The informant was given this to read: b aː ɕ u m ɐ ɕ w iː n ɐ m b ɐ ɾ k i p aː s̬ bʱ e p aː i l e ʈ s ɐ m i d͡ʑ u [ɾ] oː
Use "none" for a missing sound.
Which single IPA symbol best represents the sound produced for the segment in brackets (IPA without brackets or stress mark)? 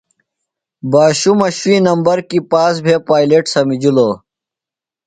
l